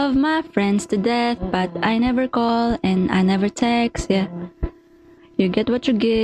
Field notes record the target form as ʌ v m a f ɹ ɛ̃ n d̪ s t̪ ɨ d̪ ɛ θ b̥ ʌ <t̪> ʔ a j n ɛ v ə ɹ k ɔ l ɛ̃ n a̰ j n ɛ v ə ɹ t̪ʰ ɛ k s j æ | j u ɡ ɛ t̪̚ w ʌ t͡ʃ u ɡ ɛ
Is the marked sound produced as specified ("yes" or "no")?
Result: yes